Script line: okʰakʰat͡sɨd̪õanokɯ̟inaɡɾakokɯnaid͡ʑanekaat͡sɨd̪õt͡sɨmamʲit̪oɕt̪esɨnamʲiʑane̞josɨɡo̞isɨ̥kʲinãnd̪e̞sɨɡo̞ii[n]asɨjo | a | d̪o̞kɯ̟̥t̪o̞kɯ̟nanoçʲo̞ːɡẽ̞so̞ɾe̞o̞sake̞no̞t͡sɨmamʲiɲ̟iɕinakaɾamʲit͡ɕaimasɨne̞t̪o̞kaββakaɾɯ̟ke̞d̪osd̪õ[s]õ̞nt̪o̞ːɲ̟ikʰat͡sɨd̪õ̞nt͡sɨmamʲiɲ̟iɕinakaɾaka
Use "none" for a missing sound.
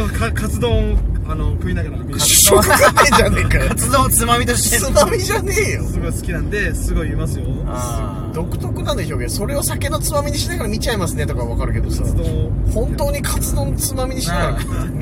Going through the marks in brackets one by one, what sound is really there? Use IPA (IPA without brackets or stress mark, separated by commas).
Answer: m, h